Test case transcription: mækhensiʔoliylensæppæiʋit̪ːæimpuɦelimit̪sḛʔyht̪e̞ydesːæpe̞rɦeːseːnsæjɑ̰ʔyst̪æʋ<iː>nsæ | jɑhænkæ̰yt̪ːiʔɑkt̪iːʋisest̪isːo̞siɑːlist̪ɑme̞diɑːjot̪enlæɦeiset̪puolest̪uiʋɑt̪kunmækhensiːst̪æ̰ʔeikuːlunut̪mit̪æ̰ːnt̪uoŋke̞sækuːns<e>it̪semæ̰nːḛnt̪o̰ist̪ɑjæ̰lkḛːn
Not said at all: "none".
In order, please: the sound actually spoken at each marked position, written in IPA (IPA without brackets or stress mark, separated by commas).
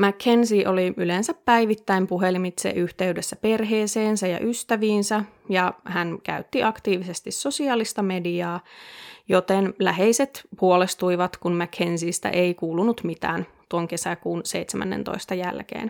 iː, e